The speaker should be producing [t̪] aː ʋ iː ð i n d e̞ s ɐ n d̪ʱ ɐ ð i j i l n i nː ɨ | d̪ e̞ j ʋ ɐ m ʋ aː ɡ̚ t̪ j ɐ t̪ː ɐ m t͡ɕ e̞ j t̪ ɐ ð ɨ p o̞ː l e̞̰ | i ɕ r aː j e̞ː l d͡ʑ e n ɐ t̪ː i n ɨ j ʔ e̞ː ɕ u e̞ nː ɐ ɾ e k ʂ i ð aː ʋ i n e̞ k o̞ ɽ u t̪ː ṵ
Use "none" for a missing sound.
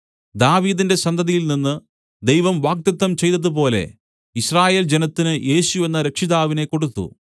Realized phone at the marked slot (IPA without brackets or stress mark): d̪